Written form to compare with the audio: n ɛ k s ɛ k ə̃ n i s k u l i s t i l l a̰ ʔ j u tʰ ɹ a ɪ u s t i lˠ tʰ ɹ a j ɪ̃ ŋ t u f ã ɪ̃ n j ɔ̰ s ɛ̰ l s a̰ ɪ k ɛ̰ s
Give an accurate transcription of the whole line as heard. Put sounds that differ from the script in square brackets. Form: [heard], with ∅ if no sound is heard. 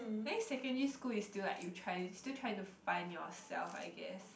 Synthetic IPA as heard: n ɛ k s ɛ k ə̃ n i s k u l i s t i l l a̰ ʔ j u tʰ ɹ a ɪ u s t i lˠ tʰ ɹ a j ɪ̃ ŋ t u f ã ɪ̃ n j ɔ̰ s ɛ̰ l [f] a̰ ɪ [ɡ] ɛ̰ s